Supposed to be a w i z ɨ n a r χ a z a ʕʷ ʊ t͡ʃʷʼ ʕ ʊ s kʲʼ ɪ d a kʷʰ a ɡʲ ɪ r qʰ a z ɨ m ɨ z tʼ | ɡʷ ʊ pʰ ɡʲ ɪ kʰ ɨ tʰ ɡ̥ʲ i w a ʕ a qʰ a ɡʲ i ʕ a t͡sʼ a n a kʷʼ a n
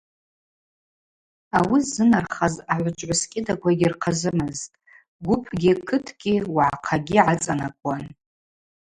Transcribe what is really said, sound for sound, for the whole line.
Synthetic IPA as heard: a w i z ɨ n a r χ a z a ʕʷ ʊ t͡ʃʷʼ ʕ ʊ s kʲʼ ɪ d a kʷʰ a ɡʲ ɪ r qʰ a z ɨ m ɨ z tʼ | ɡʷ ʊ pʰ ɡʲ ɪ kʰ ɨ tʰ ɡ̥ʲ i w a ʕ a qʰ a ɡʲ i ʕ a t͡sʼ a n a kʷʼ a n